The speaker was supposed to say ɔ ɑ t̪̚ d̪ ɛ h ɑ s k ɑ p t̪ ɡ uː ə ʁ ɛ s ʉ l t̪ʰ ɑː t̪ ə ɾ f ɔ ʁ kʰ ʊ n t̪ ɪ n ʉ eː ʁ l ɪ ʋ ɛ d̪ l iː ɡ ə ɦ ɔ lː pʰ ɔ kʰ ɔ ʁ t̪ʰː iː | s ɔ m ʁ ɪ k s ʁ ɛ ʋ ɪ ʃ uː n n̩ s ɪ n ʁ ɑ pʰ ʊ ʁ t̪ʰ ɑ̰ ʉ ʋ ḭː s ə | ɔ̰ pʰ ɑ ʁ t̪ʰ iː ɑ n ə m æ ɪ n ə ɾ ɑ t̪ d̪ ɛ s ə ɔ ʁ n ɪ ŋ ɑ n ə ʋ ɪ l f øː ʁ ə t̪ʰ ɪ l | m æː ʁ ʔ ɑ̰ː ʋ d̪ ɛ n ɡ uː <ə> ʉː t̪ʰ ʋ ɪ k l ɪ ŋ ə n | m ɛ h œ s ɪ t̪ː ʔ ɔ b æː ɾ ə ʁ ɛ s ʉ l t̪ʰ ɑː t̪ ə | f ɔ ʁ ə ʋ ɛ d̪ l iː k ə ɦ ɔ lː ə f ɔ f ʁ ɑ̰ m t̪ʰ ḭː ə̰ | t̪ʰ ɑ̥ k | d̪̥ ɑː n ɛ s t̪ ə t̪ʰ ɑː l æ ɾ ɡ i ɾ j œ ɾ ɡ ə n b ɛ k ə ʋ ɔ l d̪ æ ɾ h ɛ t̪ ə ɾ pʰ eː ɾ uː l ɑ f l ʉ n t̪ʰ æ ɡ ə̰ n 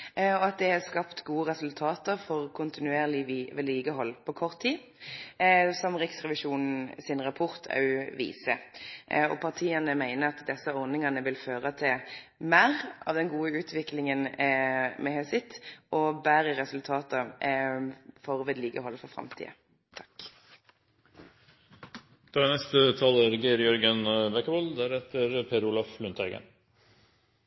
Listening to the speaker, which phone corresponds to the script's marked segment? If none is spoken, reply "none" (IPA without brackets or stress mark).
ə